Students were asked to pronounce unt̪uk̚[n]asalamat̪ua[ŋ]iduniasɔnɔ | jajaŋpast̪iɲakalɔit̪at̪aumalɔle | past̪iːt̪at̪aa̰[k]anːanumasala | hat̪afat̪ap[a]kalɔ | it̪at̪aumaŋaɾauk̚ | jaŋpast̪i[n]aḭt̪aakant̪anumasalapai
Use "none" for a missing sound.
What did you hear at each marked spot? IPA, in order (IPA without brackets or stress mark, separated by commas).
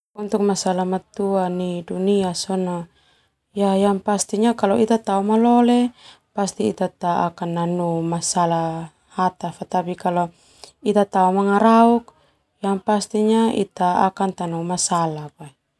m, n, k, i, ɲ